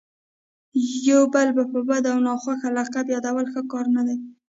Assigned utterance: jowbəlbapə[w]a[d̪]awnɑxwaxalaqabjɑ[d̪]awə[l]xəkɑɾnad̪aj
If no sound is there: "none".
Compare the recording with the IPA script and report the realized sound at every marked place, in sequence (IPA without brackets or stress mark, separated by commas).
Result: b, d̪, d̪, l